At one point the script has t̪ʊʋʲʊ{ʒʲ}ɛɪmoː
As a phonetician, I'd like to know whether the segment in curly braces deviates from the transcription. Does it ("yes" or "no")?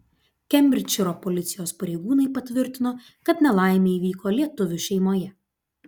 yes